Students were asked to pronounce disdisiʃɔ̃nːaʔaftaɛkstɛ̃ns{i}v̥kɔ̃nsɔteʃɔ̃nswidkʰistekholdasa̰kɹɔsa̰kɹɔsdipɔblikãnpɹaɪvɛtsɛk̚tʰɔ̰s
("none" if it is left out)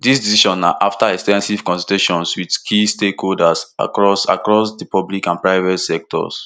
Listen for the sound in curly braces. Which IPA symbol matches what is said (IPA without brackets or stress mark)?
i